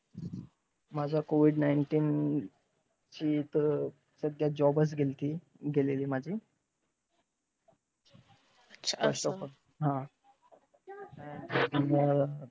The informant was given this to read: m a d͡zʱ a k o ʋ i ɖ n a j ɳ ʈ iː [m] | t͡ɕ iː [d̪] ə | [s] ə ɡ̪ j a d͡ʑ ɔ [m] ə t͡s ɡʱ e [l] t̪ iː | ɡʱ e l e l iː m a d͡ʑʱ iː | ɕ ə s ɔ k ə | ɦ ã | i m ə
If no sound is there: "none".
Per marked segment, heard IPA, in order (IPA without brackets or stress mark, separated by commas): n, t̪, s, b, l